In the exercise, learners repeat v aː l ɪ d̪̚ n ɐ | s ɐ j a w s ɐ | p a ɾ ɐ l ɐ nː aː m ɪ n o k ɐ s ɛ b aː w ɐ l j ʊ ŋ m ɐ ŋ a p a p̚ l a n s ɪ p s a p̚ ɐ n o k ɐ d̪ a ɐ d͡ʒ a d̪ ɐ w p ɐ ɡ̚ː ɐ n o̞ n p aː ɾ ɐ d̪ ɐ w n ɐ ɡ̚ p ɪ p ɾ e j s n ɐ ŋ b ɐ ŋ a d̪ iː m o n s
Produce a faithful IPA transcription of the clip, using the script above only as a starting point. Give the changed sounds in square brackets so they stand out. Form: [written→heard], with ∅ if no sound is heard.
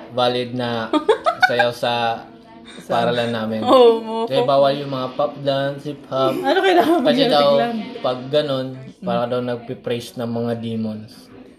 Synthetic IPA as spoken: v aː l ɪ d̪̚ n ɐ | s ɐ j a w s ɐ | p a ɾ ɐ l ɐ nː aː m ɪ n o k ɐ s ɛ b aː w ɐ l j ʊ ŋ m ɐ ŋ a p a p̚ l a n s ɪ p [s→h] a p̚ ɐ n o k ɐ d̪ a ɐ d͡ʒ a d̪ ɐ w p ɐ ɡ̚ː ɐ n o̞ n p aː ɾ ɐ d̪ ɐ w n ɐ ɡ̚ p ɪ p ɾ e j s n ɐ ŋ [b→m] ɐ ŋ a d̪ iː m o n s